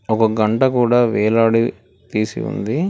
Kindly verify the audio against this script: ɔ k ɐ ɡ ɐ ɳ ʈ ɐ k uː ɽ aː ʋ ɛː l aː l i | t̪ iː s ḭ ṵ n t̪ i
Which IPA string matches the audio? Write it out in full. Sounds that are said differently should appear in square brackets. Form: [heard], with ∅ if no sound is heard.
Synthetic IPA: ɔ k ɐ ɡ ɐ ɳ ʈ ɐ k uː ɽ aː ʋ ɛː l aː [ɽ] i | t̪ iː s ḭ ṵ n [d̪] i

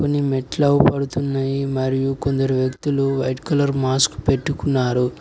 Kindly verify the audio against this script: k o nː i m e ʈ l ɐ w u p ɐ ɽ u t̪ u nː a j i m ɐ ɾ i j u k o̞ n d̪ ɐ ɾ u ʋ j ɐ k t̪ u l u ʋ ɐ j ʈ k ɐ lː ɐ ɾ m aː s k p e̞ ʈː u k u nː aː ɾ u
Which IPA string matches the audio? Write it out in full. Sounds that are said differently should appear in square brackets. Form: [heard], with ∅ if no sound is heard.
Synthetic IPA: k o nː i m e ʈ l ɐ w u p ɐ ɽ u t̪ u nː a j i m ɐ ɾ i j u k o̞ n d̪ ɐ ɾ u ʋ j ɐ k t̪ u l u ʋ ɐ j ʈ k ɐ [l] ɐ ɾ m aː s k p e̞ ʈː u k u nː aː ɾ u

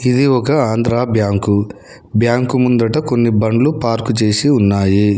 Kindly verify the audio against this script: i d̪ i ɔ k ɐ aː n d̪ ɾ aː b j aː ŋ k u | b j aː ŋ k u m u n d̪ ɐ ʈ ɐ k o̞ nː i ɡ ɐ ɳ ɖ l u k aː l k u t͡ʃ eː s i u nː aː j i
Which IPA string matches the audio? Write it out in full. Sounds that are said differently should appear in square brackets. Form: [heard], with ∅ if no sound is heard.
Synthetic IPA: i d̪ i ɔ k ɐ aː n d̪ ɾ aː b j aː ŋ k u | b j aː ŋ k u m u n d̪ ɐ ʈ ɐ k o̞ nː i [b] ɐ ɳ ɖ l u [p] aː [ɾ] k u t͡ʃ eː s i u nː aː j i

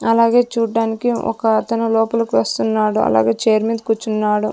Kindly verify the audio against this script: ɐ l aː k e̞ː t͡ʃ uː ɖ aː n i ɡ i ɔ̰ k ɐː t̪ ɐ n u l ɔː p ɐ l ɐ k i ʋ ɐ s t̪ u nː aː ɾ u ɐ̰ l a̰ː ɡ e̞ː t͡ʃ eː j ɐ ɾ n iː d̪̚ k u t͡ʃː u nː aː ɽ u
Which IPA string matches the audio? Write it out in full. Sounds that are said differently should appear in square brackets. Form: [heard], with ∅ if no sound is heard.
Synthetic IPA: ɐ l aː [ɡ] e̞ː t͡ʃ uː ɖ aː n i [k] i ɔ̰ k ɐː t̪ ɐ n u l ɔː p ɐ l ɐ k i ʋ ɐ s t̪ u nː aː [ɽ] u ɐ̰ l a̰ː ɡ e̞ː t͡ʃ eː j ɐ ɾ [m] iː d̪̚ k u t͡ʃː u nː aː ɽ u

